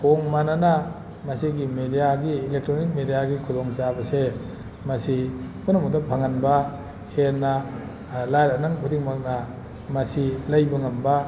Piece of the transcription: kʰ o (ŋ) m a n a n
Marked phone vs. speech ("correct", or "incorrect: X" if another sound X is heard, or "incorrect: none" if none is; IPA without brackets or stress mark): correct